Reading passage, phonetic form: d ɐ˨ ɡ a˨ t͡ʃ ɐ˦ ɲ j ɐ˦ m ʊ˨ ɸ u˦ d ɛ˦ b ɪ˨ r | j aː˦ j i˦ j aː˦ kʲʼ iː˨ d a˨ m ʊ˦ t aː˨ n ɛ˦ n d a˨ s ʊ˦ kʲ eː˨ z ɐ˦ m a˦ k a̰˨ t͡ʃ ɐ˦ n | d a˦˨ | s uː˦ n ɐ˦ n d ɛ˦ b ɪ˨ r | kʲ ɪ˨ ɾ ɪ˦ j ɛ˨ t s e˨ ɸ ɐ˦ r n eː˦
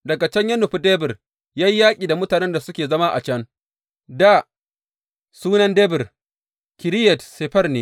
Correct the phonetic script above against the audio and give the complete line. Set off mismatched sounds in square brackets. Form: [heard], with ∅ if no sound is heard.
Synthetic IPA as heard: d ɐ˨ ɡ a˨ t͡ʃ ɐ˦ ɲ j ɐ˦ [n] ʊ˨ ɸ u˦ d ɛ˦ b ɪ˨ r | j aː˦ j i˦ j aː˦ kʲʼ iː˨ d a˨ m ʊ˦ t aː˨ n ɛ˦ n d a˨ s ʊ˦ kʲ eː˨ z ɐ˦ m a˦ [ʔ] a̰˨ t͡ʃ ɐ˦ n | d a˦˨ | s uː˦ n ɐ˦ n d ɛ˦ b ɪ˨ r | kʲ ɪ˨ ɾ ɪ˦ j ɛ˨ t s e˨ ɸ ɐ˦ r n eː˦